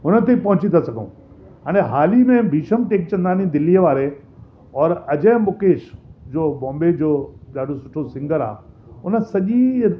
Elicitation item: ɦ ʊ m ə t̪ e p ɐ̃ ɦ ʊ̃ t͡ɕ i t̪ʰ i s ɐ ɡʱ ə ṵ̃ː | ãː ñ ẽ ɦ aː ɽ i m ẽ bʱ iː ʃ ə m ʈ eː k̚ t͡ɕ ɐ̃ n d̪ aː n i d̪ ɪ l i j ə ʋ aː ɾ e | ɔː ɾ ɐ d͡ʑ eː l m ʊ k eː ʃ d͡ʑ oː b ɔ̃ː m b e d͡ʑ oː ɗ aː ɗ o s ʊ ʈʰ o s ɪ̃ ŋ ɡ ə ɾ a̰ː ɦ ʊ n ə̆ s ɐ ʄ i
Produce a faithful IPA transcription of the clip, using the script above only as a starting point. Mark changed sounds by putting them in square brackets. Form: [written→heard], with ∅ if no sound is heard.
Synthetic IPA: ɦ ʊ [m→n] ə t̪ e p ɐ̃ ɦ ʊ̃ t͡ɕ i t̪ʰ [i→a] s ɐ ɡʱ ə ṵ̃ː | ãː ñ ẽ ɦ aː [ɽ→l] i m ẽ bʱ iː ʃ ə m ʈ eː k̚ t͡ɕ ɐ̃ n d̪ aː n i d̪ ɪ l i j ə ʋ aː ɾ e | ɔː ɾ ɐ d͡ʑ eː [l→∅] m ʊ k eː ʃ d͡ʑ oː b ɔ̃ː m b e d͡ʑ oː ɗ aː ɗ o s ʊ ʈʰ o s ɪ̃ ŋ ɡ ə ɾ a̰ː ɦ ʊ n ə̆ s ɐ ʄ i